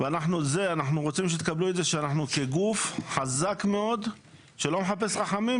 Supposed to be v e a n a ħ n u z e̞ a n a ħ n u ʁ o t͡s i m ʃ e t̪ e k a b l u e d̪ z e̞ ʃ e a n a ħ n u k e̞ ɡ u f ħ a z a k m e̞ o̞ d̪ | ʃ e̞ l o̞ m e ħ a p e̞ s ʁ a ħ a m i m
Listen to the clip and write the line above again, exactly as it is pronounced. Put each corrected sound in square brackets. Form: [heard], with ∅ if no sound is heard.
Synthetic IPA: v e a n a ħ n u z e̞ a n a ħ n u ʁ o t͡s i m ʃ e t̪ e k a b l u e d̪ z e̞ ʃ e a n a ħ n u k e̞ ɡ u f ħ a z a k m e̞ o̞ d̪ | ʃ e̞ l o̞ m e ħ a p e̞ s ʁ a ħ a m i m